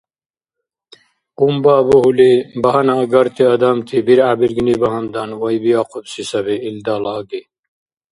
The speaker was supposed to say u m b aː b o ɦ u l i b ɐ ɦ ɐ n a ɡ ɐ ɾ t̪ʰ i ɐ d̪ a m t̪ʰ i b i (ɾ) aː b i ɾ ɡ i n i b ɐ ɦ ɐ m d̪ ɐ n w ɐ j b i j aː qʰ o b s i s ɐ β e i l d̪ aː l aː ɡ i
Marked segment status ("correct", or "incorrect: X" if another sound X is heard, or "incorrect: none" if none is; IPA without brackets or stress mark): correct